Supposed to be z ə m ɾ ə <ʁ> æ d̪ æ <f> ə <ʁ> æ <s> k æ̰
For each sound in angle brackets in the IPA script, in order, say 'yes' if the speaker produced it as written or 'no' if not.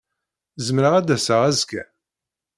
yes, no, yes, no

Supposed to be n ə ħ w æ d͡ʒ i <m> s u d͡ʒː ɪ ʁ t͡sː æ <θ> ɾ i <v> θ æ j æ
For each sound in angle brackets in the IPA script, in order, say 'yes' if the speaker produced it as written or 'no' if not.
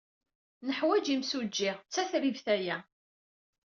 yes, yes, yes

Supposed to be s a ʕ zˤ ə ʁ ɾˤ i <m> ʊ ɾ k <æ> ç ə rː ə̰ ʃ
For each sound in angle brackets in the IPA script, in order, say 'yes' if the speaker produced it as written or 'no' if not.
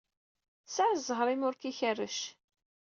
yes, no

